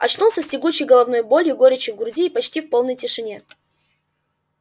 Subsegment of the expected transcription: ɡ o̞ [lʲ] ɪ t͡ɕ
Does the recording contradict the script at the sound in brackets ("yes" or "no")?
yes